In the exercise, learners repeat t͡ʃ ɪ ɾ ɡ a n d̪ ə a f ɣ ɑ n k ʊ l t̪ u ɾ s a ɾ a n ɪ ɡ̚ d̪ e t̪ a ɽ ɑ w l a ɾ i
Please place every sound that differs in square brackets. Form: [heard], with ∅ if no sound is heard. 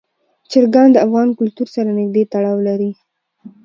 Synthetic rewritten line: t͡ʃ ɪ ɾ ɡ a n d̪ ə a f ɣ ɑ n k ʊ l t̪ u ɾ s a ɾ a n ɪ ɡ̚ d̪ e t̪ a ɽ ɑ w l a ɾ i